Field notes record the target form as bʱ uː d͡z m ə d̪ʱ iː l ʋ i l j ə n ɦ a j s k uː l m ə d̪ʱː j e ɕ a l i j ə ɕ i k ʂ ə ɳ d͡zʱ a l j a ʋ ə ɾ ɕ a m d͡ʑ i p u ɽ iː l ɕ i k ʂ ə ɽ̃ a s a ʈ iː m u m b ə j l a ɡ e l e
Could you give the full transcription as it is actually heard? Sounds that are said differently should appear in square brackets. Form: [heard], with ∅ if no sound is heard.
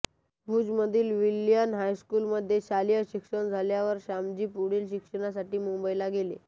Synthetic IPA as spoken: bʱ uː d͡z m ə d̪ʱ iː l ʋ i l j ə n ɦ a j s k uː l m ə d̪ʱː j e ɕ a l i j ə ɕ i k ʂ ə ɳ d͡zʱ a l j a ʋ ə ɾ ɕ a m d͡ʑ [iː] p u ɽ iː l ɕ i k ʂ ə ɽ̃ a s a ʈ iː m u m b ə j l a ɡ e l e